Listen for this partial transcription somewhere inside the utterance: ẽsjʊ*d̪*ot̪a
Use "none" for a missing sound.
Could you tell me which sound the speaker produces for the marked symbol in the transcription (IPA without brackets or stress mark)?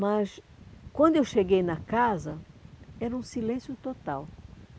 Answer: t̪